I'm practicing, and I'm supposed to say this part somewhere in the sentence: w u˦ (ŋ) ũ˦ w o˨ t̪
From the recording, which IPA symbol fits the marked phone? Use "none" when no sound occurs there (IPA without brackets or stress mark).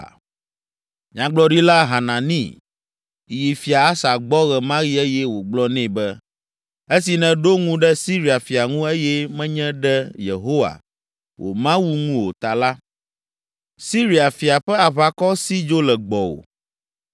ŋ